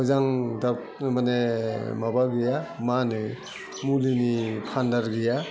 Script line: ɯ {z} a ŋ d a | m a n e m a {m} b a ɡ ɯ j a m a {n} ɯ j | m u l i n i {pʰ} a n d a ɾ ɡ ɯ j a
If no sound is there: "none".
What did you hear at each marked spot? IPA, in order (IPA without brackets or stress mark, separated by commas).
z, none, n, pʰ